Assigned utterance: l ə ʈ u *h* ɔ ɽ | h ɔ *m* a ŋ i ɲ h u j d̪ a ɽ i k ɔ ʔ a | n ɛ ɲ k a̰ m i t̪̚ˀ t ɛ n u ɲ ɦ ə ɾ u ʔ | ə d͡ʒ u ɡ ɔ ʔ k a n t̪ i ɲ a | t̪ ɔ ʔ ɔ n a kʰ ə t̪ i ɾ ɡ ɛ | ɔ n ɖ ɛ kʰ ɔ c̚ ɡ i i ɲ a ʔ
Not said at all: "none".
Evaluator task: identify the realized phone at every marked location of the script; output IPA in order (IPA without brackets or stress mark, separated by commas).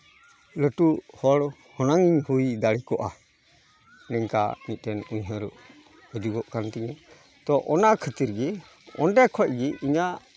h, n